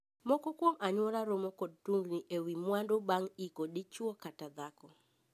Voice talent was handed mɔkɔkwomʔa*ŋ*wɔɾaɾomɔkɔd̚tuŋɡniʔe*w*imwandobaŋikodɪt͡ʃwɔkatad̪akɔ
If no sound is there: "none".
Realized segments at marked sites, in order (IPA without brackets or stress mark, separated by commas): ɲ, w